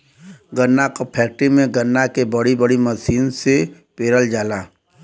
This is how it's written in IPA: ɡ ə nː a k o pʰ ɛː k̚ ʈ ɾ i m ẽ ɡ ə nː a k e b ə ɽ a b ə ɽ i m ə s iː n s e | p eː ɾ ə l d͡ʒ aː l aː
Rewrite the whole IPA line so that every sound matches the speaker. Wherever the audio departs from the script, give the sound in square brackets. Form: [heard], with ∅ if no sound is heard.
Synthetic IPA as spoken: ɡ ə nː a k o pʰ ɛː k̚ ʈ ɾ i m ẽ ɡ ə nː a k e b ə ɽ [i] b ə ɽ i m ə s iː n s e | p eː ɾ ə l d͡ʒ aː l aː